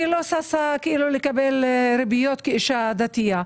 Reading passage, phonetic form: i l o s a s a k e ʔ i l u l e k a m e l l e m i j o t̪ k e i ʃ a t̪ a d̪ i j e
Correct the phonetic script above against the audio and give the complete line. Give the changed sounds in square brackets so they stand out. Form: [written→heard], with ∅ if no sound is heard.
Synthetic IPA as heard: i l o s a s a k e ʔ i l u l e k a [m→b] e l [l→ɾ] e [m→b] i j o t̪ k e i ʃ a [t̪→d̪] a [d̪→t̪] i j [e→a]